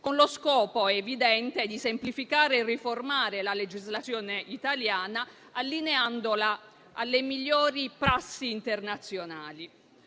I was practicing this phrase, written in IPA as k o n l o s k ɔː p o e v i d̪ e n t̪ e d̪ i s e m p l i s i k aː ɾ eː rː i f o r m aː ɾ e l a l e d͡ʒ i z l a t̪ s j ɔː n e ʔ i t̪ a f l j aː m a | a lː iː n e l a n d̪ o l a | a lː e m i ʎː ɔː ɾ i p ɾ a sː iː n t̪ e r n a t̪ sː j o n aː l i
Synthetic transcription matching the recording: k o n l o s k ɔː p o e v i d̪ ɛ n t̪ e d̪ i s e m p l i f i k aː ɾ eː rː i f o r m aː ɾ e l a l e d͡ʒ i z l a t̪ s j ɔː n e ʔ i t̪ a l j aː n a | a lː i n e a n d̪ o l a | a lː e m i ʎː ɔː ɾ i p ɾ a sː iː n t̪ e r n a t̪ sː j o n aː l i